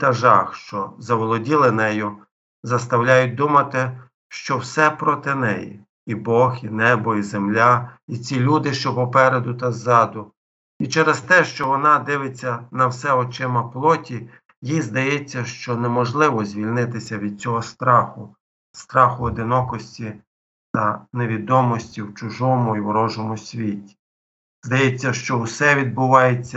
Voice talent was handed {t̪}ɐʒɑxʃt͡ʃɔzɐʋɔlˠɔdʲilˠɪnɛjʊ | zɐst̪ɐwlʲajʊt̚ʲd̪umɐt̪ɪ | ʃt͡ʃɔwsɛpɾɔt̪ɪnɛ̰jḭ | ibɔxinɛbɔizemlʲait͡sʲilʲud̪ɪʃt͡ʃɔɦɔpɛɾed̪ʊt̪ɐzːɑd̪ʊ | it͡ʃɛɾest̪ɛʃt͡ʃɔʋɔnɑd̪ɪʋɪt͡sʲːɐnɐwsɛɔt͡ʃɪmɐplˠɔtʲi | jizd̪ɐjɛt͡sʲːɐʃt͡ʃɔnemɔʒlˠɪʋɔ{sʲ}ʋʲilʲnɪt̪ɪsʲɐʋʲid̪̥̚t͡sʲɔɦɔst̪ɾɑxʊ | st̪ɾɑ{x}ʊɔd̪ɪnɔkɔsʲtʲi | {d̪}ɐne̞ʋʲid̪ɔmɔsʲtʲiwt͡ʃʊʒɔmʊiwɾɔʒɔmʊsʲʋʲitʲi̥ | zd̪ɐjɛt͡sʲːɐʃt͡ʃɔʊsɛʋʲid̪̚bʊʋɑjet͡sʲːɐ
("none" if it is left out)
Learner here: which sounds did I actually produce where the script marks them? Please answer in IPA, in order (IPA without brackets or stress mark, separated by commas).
t̪, zʲ, x, t̪